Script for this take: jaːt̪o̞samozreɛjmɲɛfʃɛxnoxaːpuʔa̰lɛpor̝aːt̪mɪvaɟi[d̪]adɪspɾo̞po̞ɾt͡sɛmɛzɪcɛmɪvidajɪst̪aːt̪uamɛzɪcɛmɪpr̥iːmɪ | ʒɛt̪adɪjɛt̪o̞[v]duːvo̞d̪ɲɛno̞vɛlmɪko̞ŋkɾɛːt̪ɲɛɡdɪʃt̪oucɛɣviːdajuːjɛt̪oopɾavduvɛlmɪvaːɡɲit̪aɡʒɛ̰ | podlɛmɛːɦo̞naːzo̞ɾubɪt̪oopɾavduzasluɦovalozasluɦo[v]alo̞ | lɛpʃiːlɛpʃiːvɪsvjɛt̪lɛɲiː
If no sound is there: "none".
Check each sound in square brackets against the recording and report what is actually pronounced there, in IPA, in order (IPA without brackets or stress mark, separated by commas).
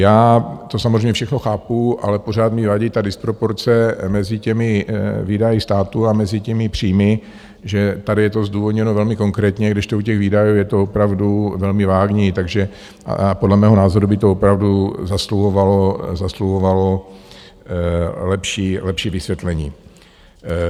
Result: t̪, z, v